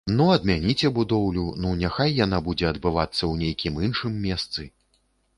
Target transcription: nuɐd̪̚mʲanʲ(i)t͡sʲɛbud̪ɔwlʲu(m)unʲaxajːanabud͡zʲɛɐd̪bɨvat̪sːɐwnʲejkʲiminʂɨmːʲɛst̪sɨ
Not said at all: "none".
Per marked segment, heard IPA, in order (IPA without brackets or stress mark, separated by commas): i, n